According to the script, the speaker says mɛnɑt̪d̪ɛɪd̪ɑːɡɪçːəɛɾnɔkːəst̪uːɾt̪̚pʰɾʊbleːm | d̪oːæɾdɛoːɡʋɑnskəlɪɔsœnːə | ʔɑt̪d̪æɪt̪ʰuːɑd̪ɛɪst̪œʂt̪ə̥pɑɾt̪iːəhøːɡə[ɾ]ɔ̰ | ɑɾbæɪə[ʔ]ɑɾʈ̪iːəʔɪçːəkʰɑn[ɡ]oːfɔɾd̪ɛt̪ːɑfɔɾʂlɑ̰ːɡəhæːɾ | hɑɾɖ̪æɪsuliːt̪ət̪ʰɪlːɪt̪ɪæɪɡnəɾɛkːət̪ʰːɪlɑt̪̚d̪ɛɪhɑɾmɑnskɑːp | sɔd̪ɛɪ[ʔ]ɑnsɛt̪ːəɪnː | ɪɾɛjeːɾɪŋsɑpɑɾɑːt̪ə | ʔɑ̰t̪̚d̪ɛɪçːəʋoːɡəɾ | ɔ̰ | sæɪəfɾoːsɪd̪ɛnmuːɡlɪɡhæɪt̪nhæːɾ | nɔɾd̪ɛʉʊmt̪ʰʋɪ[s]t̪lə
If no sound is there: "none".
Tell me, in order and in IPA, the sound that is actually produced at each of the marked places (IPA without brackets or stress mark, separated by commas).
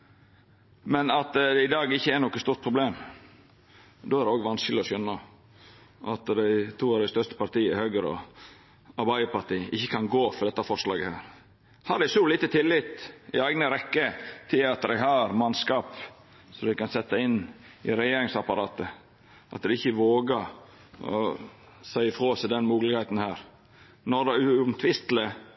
ɾ, p, ɡ, k, s